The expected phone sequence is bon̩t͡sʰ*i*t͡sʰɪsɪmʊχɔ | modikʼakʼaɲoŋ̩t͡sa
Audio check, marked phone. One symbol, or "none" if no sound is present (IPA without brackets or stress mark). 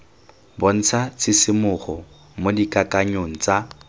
a